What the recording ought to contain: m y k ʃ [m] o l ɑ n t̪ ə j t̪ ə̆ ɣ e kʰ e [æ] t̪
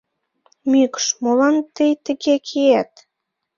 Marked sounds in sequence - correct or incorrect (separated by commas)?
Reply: correct, correct